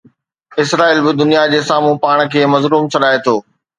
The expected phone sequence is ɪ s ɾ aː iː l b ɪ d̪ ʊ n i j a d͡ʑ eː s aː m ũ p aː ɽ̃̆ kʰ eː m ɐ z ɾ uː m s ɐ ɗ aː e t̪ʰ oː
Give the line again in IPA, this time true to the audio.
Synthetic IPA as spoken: ɪ s ɾ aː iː l b ɪ d̪ ʊ n i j a d͡ʑ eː s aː m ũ p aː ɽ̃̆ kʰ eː m ɐ z ɾ uː m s ɐ ɗ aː e t̪ʰ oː